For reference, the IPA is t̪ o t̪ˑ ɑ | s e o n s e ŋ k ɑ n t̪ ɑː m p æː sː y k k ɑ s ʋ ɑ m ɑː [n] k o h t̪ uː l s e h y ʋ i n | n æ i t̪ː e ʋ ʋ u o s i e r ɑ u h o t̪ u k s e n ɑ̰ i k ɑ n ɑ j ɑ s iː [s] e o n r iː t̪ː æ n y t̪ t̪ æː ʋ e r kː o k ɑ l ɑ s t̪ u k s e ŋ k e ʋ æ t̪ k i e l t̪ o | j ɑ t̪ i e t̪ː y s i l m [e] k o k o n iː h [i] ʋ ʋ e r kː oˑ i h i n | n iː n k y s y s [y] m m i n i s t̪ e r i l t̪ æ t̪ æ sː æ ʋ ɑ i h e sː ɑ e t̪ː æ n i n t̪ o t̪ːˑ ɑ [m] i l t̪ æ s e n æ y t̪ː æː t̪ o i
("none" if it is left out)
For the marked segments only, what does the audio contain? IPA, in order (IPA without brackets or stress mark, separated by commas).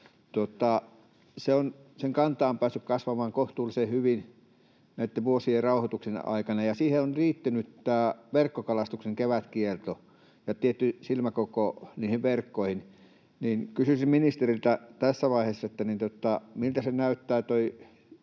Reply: ŋ, h, æ, i, i, m